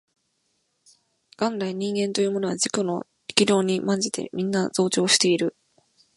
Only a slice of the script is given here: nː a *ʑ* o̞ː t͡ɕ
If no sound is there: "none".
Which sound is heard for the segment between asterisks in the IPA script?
z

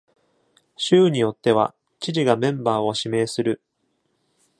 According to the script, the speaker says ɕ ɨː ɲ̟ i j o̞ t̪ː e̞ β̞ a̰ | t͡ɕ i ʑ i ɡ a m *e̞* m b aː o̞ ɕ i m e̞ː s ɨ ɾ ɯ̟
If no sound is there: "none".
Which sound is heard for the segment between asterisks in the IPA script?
ẽ̞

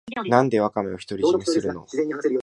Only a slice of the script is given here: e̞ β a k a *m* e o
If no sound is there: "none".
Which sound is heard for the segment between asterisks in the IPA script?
m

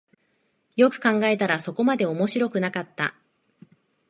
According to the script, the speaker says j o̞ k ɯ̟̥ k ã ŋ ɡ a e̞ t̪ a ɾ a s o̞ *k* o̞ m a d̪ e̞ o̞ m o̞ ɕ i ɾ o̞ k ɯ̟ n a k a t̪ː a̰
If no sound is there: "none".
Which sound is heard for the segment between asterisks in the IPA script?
k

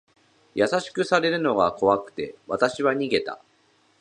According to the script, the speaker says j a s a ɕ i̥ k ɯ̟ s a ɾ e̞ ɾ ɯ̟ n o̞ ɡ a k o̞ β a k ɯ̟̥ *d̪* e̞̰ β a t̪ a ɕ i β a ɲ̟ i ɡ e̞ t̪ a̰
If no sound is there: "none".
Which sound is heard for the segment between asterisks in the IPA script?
t̪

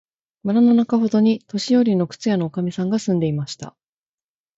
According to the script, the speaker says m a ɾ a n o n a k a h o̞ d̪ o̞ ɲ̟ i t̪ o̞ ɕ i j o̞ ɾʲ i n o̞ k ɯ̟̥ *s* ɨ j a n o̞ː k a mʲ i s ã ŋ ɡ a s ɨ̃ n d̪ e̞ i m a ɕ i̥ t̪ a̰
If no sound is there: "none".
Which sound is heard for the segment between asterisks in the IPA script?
t͡s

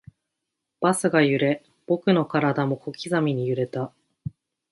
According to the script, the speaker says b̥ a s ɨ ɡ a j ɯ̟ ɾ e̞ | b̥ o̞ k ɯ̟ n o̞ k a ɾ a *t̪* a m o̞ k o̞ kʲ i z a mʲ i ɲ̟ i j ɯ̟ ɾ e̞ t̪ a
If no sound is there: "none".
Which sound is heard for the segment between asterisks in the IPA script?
d̪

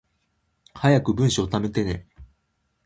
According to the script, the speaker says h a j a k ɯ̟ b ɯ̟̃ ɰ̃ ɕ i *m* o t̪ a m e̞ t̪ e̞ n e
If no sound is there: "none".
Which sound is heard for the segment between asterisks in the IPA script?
none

